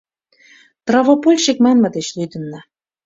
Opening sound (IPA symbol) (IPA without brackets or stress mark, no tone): t̪